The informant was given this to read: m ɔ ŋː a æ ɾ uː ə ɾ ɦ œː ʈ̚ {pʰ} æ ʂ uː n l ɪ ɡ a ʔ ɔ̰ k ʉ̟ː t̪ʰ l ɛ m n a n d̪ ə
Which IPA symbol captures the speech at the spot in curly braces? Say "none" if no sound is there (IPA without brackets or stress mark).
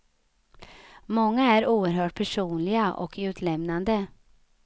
pʰ